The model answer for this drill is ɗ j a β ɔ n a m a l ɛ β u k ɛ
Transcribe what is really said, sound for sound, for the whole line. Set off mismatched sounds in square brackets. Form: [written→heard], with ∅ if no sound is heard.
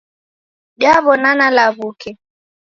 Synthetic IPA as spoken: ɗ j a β ɔ n a [m→n] a l [ɛ→a] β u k ɛ